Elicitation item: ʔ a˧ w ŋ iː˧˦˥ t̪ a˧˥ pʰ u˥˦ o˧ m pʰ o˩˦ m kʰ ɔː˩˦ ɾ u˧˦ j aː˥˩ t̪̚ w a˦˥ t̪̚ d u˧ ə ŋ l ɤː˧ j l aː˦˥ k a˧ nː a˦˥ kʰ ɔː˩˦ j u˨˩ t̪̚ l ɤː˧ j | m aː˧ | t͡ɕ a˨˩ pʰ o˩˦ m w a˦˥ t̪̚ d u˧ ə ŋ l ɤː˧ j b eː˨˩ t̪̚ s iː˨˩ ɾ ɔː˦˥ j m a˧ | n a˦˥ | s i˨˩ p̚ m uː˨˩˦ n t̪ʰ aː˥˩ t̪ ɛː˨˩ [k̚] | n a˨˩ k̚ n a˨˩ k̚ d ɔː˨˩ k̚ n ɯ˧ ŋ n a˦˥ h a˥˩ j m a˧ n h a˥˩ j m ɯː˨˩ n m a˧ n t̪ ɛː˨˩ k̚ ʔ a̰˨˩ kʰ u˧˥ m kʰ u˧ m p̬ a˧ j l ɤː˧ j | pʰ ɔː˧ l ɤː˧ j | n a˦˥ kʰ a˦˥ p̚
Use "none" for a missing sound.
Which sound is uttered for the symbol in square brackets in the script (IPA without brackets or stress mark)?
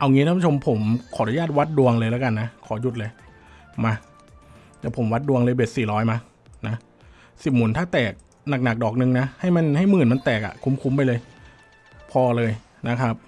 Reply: k̚